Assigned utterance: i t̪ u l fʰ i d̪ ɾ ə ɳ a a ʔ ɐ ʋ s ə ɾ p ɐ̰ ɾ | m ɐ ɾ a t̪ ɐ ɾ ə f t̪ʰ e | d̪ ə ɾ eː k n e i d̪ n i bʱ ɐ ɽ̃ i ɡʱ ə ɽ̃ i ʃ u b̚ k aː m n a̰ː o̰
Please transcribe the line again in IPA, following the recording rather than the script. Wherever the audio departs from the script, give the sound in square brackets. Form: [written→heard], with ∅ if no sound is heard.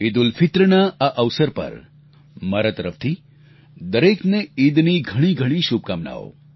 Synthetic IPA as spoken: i [t̪→d̪] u l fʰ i [d̪→t̪] ɾ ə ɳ a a ʔ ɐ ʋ s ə ɾ p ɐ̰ ɾ | m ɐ ɾ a t̪ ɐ ɾ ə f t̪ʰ [e→i] | d̪ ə ɾ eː k n e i d̪ n i [bʱ→ɡʱ] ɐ ɽ̃ i ɡʱ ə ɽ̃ i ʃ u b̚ k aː m n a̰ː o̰